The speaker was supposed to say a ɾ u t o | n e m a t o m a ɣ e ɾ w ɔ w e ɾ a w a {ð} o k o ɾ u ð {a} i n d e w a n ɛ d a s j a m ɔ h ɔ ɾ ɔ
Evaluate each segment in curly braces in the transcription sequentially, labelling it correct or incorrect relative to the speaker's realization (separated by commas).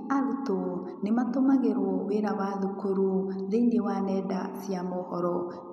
correct, incorrect